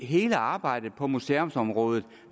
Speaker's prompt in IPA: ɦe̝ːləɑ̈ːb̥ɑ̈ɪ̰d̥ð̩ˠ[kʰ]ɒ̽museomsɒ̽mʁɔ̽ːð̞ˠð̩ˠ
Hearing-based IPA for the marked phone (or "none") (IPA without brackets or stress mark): pʰ